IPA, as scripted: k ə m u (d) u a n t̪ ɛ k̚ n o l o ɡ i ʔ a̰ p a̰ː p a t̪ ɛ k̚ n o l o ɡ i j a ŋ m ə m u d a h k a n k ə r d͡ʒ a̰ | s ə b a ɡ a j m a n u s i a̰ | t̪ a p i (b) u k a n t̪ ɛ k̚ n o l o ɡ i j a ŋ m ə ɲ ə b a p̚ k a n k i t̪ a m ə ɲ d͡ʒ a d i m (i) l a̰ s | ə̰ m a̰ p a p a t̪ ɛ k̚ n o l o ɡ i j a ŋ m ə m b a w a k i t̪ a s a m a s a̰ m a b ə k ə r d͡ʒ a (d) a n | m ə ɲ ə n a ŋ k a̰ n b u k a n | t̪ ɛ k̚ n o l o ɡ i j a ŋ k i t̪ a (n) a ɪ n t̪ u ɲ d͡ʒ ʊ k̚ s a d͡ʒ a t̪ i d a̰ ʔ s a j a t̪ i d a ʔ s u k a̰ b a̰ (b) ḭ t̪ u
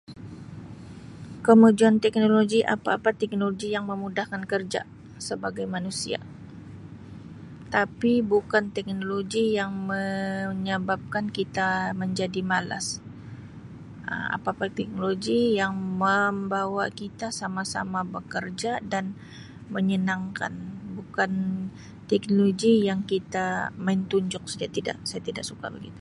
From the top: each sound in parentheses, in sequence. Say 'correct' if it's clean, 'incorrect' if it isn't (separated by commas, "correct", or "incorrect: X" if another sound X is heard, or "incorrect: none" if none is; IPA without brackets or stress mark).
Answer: incorrect: d͡ʒ, correct, incorrect: a, correct, incorrect: m, incorrect: ɡ